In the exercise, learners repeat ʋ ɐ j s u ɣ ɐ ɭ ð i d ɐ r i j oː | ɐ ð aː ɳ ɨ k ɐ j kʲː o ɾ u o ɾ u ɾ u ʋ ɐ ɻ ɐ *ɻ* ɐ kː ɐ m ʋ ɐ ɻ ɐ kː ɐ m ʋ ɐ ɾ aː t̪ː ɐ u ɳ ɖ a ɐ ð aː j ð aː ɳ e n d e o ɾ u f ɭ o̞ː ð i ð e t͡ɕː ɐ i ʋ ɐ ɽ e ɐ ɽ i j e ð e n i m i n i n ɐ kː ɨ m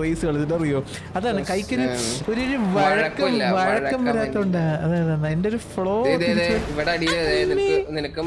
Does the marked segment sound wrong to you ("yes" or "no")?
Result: yes